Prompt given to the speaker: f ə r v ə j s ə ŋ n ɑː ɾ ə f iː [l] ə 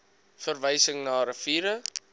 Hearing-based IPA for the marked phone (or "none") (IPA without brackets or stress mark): ɾ